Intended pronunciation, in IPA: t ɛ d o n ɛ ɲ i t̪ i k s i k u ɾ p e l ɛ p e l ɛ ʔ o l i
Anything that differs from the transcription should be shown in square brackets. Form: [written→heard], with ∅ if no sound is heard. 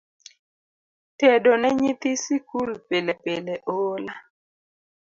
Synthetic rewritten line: t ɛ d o n ɛ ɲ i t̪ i [k→∅] s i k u [ɾ→l] p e l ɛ p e l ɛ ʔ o l [i→a]